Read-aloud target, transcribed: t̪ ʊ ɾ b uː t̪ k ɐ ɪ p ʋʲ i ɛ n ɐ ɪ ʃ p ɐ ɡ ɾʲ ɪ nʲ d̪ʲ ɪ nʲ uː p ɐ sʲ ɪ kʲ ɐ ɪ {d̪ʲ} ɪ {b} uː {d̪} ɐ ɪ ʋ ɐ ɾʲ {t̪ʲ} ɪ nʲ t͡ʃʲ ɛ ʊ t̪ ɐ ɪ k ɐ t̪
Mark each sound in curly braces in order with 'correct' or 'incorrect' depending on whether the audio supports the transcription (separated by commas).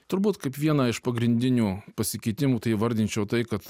incorrect, incorrect, incorrect, incorrect